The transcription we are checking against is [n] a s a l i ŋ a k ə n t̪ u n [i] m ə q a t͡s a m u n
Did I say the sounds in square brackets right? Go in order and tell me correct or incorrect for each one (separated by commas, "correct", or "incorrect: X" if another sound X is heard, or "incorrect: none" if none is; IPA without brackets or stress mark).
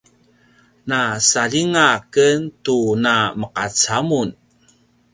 correct, incorrect: a